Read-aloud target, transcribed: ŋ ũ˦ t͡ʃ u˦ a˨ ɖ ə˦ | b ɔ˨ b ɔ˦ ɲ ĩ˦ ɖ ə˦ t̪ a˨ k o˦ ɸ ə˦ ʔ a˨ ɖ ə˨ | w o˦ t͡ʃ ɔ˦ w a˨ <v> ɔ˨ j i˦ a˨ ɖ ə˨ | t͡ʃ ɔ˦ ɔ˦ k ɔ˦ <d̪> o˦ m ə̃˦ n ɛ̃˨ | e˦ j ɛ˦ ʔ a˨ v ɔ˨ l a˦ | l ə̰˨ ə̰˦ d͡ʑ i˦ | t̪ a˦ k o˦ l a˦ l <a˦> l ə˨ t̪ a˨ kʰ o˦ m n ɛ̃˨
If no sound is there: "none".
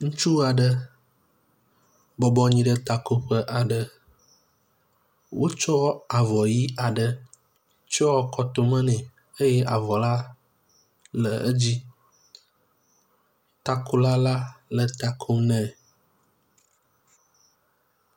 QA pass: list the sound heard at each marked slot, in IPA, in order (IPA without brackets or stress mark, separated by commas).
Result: v, t̪, a˦